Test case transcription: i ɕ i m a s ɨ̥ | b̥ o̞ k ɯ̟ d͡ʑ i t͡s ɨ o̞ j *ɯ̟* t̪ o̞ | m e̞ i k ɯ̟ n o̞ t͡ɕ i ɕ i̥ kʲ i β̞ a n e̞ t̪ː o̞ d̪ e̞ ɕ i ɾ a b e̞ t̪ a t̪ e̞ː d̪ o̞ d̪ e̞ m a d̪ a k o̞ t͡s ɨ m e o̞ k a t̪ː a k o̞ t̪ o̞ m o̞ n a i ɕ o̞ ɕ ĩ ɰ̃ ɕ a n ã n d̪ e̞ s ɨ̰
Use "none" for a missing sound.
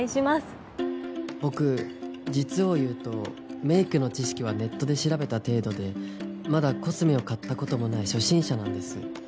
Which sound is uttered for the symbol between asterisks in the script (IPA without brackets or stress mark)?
ɯ̟ː